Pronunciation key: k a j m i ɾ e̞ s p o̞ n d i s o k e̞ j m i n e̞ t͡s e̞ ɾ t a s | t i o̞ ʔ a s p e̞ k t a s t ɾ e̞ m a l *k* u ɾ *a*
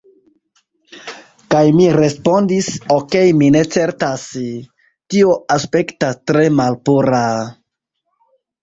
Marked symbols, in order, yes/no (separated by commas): no, yes